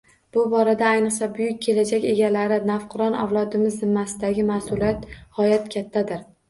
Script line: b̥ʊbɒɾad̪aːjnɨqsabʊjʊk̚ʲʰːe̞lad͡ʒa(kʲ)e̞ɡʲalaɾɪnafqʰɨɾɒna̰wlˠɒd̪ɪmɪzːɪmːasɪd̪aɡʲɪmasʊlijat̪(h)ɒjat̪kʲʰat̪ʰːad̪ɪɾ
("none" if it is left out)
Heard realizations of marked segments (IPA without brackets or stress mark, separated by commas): kʲ, h